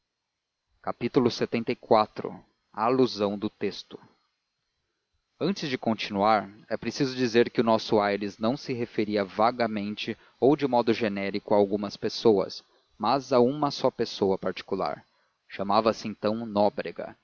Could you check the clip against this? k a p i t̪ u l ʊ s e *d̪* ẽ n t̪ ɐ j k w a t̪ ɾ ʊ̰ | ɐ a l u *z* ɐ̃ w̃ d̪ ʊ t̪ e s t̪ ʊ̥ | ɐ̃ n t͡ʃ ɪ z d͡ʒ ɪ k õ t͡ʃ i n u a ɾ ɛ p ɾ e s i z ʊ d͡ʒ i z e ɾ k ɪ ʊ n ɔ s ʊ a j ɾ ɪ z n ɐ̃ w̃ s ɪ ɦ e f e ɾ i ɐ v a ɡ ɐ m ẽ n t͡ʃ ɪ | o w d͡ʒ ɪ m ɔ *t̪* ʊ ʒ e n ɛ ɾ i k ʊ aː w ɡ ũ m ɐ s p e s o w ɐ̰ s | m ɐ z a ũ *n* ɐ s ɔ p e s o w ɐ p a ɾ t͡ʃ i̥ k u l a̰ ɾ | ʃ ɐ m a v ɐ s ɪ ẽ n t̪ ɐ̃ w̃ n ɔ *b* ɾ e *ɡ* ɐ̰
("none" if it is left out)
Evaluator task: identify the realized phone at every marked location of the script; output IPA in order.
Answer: t̪, z, d̪, m, b, ɡ

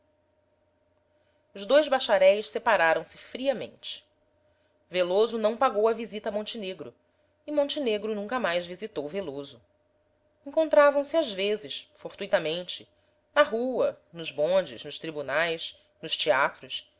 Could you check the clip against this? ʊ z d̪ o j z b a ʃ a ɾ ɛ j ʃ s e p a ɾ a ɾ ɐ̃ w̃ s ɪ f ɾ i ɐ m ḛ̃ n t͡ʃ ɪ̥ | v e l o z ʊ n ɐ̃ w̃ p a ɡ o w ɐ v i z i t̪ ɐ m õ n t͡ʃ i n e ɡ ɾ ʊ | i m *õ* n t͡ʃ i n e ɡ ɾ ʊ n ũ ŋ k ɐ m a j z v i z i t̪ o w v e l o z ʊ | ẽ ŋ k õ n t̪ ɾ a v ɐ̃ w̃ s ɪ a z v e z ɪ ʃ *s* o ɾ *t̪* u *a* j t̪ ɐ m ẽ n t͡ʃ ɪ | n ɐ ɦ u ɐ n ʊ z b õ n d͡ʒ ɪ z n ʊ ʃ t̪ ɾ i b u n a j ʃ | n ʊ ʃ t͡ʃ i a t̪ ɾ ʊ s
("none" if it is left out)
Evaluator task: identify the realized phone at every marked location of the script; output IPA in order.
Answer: õ, f, t̪, i

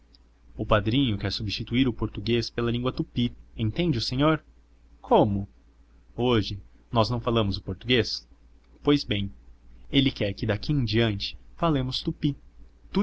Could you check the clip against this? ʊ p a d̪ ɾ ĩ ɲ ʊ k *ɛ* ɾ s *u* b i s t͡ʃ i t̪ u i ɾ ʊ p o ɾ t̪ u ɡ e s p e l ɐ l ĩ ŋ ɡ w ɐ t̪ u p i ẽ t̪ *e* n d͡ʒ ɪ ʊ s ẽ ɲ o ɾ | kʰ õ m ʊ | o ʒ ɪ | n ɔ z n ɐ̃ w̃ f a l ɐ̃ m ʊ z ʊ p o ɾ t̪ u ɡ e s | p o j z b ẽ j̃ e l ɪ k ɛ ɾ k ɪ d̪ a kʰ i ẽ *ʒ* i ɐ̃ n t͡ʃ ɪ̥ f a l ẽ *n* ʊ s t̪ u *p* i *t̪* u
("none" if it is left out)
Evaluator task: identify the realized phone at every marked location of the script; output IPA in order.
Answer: ɛ, u, ẽ, d͡ʒ, m, p, t̪

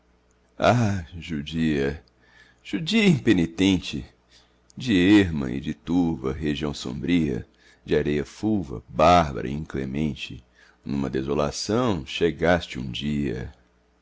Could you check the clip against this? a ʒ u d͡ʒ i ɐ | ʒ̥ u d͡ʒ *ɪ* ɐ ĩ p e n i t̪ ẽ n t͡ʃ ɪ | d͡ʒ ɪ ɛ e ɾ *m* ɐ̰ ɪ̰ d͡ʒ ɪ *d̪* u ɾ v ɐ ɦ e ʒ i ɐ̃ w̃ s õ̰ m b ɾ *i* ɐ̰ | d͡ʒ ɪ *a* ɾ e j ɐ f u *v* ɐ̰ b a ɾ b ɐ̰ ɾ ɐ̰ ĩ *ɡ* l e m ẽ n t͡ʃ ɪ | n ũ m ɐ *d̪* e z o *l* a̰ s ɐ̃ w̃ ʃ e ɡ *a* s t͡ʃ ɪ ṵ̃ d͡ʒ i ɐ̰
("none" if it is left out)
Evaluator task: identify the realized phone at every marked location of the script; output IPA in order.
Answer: i, m, t̪, i, a, v, k, d̪, l, a

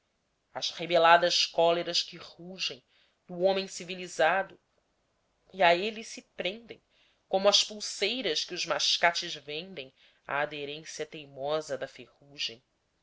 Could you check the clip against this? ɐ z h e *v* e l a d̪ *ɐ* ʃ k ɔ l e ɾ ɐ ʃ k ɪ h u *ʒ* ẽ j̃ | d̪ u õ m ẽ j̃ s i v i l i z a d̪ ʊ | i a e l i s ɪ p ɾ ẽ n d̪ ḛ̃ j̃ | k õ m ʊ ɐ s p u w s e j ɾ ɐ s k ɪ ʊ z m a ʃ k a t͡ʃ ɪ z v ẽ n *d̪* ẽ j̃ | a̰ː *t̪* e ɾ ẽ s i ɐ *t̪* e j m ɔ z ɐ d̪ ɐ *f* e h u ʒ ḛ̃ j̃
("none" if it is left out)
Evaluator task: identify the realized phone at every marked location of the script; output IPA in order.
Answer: b, ɐ, ʒ, d̪, d̪, t̪, f

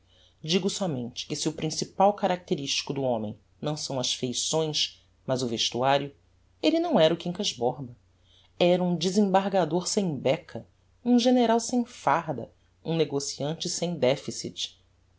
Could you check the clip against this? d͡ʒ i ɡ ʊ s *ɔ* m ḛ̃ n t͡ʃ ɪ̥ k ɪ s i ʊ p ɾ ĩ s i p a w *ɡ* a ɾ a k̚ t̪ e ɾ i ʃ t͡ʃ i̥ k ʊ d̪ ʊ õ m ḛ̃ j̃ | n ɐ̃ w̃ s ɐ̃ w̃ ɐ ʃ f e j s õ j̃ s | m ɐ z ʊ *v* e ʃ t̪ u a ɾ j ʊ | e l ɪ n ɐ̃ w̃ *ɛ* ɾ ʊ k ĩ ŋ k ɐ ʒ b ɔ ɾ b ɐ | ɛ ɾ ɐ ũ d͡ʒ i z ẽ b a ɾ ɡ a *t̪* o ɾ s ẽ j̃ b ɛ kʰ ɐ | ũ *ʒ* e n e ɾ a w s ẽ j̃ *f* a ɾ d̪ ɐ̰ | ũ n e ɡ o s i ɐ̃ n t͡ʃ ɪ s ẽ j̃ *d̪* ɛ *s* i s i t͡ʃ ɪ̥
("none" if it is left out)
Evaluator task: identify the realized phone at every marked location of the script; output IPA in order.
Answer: ɔ, k, v, ɛ, d̪, ʒ, f, d̪, f

